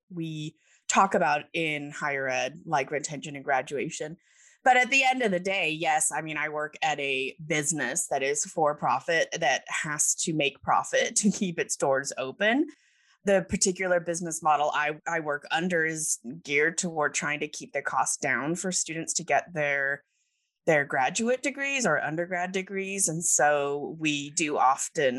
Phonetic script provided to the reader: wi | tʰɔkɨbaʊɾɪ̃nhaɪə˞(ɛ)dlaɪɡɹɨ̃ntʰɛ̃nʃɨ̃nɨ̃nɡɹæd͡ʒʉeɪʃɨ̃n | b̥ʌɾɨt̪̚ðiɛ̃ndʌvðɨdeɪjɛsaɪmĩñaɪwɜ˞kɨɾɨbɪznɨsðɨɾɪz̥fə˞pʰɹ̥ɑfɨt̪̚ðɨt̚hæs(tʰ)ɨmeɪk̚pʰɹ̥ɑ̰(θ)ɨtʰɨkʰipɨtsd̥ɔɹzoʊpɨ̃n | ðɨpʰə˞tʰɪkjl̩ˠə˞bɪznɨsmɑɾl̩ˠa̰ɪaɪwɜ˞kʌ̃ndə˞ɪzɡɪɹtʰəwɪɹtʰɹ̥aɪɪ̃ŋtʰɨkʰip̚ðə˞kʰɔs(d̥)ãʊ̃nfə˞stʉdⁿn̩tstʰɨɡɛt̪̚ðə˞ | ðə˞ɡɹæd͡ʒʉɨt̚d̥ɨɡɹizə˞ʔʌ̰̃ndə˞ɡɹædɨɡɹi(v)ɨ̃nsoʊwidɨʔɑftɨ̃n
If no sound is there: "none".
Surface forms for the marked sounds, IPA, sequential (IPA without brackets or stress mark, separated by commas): ɛ, tʰ, f, d̥, z